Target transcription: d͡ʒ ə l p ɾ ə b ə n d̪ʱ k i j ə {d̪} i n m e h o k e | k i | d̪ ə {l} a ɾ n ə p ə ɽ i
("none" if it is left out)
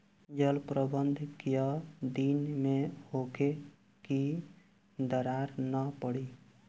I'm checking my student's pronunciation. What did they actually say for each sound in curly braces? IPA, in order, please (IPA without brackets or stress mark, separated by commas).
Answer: d̪, ɾ